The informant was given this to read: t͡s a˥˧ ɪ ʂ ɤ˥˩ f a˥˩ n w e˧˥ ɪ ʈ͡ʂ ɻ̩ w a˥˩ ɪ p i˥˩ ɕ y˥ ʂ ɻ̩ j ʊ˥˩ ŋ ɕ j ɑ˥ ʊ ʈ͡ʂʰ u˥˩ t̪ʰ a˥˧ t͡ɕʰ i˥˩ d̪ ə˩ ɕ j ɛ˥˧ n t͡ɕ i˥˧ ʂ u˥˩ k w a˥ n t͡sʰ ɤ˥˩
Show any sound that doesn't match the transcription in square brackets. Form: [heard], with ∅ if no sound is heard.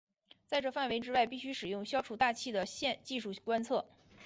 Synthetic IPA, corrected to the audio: t͡s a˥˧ ɪ [ʈ͡ʂ] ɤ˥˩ f a˥˩ n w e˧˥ ɪ ʈ͡ʂ ɻ̩ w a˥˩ ɪ p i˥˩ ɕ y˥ ʂ ɻ̩ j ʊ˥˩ ŋ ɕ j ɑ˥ ʊ ʈ͡ʂʰ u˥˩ [t̪] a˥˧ t͡ɕʰ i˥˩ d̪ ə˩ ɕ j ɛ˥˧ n t͡ɕ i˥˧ ʂ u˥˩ k w a˥ n t͡sʰ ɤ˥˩